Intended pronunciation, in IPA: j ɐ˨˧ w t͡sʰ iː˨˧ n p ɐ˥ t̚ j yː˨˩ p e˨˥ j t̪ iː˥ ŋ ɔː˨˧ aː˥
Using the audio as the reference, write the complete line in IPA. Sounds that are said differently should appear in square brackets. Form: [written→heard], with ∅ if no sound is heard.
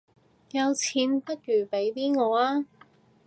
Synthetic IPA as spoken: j ɐ˨˧ w t͡sʰ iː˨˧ n p ɐ˥ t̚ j yː˨˩ p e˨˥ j t̪ iː˥ ŋ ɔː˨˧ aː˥